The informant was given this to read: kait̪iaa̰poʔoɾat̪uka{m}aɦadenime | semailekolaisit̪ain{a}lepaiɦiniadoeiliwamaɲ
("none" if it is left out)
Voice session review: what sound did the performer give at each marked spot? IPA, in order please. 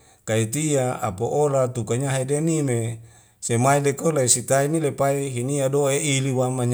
ɲ, i

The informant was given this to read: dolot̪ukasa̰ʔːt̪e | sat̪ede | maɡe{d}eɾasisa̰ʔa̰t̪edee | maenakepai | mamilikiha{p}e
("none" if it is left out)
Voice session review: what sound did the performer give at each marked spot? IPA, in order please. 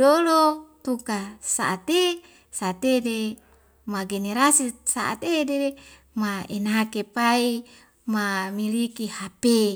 n, p

